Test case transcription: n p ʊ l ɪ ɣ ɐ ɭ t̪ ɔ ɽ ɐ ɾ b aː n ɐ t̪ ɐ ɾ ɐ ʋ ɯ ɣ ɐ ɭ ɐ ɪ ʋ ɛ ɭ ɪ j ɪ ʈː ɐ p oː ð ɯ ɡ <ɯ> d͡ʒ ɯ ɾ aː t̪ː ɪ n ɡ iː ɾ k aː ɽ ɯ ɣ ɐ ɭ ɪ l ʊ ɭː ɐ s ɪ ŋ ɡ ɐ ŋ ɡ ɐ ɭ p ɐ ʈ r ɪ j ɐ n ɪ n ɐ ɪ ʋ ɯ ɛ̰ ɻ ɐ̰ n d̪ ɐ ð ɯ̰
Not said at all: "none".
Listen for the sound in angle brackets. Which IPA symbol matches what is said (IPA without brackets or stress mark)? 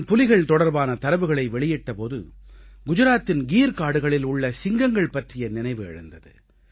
ʊ